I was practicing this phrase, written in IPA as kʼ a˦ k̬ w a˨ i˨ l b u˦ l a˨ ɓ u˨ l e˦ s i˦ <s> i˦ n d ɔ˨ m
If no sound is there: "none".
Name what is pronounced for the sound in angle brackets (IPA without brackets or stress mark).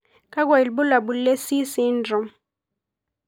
s